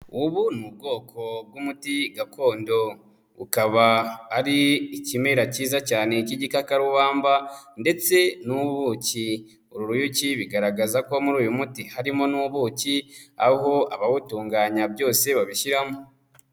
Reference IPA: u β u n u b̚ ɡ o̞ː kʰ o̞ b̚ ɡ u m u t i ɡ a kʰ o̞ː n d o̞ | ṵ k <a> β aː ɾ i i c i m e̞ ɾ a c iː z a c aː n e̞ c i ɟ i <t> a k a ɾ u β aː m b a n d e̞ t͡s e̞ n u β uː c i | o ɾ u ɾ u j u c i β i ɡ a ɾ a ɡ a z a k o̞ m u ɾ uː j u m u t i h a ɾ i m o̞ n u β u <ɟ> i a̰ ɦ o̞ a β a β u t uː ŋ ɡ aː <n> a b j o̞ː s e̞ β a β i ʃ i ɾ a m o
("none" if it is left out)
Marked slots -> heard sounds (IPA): a, k, c, ɲ

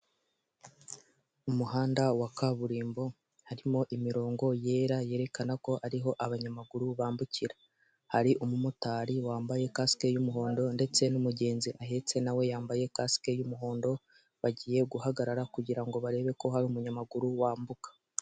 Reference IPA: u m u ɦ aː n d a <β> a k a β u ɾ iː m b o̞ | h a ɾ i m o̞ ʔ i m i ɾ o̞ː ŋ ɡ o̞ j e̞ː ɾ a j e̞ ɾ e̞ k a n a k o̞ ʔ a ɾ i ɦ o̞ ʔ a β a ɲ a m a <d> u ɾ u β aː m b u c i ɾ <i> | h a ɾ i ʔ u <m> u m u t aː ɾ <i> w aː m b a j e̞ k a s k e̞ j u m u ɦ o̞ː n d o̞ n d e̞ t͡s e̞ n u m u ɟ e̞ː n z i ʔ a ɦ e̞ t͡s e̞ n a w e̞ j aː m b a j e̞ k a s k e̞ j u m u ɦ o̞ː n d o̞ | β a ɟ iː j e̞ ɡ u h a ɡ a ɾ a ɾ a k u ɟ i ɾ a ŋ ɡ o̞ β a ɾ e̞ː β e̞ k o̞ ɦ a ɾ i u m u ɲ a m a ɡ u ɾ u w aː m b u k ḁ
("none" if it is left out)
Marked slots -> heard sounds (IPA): w, ɡ, a, m, i

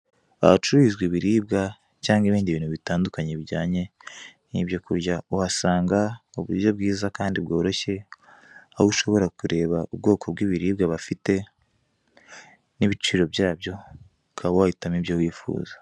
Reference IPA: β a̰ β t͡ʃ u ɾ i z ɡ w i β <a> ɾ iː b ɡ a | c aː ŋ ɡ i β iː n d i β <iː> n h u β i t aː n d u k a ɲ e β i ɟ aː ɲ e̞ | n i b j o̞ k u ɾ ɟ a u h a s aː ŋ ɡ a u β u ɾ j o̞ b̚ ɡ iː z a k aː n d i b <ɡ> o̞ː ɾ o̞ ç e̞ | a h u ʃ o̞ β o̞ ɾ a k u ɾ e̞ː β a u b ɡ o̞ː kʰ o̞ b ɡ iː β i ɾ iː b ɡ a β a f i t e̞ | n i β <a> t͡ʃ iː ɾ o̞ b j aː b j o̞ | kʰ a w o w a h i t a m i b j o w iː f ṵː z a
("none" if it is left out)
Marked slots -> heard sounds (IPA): i, iː, ɡ, i

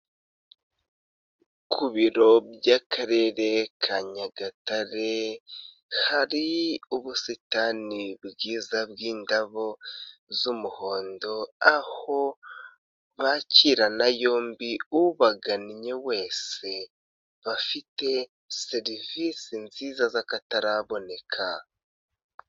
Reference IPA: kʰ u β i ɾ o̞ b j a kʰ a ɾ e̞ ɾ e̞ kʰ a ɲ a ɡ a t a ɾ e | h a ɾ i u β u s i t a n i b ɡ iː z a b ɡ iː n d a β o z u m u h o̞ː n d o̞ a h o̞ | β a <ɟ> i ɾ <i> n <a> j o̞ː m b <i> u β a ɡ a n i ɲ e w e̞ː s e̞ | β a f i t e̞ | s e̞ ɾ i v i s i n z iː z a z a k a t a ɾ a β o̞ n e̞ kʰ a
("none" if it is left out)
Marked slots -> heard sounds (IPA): c, a, a, i

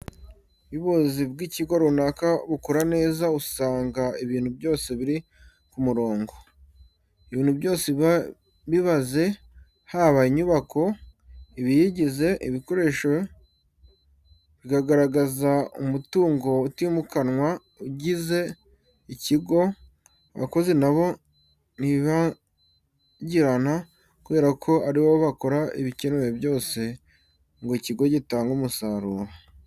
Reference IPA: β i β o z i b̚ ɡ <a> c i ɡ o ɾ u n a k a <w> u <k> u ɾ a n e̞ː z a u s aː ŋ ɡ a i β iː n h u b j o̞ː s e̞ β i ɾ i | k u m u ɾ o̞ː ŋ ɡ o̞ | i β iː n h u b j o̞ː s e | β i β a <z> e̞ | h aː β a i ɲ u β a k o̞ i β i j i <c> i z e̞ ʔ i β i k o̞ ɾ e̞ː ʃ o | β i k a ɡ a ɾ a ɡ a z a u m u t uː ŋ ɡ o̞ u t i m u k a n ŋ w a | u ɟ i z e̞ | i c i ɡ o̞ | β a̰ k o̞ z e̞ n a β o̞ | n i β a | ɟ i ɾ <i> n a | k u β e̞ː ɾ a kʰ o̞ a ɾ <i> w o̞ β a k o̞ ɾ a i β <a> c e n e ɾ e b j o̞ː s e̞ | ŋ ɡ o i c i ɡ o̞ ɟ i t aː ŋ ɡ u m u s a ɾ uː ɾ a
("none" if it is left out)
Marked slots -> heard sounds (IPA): i, β, k, z, ɟ, a, i, i

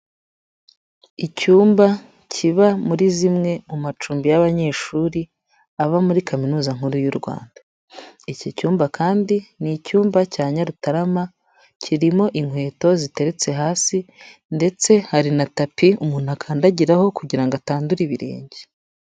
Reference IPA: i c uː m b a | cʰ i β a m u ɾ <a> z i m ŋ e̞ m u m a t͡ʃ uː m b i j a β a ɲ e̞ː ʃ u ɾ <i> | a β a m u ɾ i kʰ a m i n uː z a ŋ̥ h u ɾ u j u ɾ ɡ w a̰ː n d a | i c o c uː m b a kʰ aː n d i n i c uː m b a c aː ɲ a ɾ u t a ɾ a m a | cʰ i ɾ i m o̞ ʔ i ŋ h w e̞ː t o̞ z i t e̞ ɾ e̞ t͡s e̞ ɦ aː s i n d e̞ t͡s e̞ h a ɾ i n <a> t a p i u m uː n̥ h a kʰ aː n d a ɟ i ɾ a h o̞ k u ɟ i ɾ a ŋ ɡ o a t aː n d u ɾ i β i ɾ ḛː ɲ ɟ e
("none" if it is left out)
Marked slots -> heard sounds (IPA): i, i, a

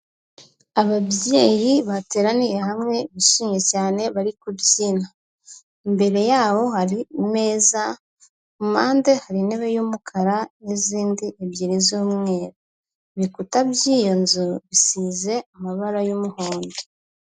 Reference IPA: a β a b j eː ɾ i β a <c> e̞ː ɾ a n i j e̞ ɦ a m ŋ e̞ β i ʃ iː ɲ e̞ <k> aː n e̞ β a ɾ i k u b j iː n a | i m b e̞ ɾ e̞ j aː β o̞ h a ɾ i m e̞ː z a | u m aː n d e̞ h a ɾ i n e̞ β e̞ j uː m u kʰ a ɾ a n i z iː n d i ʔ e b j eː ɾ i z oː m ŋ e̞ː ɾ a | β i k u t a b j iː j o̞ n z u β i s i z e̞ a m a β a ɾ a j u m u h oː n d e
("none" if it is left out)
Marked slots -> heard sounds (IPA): t, c

